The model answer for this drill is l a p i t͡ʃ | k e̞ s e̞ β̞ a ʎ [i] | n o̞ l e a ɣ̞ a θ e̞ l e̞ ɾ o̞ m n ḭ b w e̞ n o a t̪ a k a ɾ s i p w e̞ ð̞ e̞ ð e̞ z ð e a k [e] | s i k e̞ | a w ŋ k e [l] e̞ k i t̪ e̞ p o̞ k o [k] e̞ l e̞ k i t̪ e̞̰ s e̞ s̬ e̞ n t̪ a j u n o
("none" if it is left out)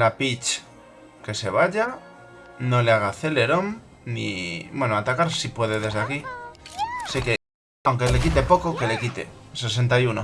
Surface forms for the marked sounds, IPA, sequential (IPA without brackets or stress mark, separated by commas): a, i, l, k